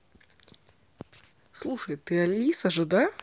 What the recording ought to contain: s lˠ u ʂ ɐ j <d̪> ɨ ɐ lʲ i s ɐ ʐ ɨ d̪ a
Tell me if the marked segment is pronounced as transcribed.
no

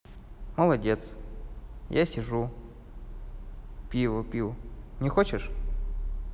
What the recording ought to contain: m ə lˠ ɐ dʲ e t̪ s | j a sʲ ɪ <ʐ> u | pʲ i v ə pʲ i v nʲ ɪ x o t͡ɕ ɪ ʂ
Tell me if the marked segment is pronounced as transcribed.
yes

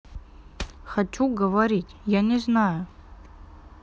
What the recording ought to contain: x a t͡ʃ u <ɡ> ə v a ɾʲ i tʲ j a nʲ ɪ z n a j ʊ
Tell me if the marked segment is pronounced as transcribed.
yes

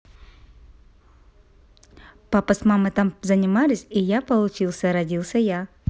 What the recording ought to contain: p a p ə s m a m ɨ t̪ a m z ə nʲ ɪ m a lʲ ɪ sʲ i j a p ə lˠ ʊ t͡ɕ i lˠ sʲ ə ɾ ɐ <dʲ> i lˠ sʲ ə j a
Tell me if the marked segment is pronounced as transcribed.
yes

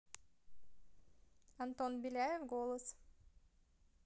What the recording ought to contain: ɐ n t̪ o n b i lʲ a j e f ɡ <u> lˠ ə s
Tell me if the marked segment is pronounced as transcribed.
no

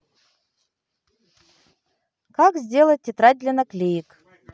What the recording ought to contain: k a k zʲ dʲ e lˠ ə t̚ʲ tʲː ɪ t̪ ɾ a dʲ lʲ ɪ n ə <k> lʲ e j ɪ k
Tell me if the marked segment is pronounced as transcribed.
yes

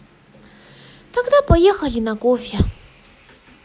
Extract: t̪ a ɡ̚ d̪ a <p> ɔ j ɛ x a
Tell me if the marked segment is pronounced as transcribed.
yes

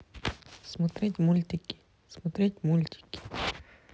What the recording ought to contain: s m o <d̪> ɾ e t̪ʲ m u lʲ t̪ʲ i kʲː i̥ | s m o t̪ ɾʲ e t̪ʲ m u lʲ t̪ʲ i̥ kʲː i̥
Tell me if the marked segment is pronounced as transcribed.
no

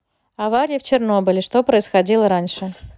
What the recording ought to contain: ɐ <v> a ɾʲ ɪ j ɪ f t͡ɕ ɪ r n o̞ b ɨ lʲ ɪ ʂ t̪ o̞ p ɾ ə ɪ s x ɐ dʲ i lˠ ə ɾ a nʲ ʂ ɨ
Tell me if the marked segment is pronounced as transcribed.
yes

